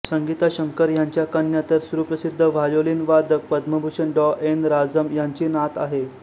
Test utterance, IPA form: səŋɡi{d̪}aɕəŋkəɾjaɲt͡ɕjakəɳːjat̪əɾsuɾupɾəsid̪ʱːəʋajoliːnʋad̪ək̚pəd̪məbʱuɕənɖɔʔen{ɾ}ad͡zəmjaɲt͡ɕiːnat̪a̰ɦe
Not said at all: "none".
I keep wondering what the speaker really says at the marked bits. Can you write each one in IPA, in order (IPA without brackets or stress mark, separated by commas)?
t̪, ɾ